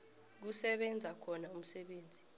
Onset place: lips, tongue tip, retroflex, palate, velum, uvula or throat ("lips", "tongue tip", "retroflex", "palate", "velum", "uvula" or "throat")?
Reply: velum